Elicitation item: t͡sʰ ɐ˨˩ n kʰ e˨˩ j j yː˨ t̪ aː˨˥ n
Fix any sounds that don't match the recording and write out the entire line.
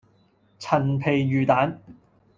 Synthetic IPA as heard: t͡sʰ ɐ˨˩ n pʰ e˨˩ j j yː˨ t̪ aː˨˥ n